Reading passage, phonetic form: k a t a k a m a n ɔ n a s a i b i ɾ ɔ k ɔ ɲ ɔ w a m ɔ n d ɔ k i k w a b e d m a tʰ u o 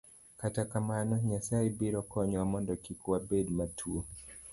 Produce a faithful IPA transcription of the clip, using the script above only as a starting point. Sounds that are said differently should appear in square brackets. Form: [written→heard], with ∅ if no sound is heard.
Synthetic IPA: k a t a k a m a n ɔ [n→ɲ] a s a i b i ɾ ɔ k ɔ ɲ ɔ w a m ɔ n d ɔ k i k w a b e d m a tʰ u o